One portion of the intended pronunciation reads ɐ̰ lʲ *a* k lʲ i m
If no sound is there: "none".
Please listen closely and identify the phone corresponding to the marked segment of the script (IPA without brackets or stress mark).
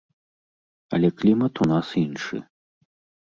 ɛ